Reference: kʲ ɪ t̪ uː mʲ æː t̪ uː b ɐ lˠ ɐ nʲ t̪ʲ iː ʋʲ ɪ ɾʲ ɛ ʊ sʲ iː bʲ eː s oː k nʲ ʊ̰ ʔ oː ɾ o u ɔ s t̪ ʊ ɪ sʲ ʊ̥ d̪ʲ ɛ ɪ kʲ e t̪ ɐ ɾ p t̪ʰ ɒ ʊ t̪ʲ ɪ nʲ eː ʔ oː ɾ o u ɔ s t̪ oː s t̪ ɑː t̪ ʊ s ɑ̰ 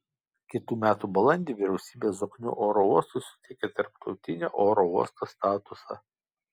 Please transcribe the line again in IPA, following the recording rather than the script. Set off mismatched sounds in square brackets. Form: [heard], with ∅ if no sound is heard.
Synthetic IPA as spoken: kʲ ɪ t̪ uː mʲ æː t̪ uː b ɐ lˠ ɐ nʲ [d̪ʲ] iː ʋʲ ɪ ɾʲ ɛ ʊ sʲ iː bʲ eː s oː k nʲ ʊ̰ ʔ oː ɾ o u ɔ s t̪ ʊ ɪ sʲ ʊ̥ [t̪ʲ] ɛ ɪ kʲ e t̪ ɐ ɾ p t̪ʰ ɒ ʊ t̪ʲ ɪ nʲ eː ʔ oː ɾ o u ɔ s t̪ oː s t̪ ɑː t̪ ʊ s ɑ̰